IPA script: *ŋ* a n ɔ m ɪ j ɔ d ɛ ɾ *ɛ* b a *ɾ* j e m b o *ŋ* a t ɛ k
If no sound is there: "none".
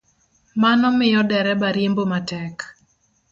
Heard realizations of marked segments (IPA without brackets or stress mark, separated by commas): m, ɛ, ɾ, m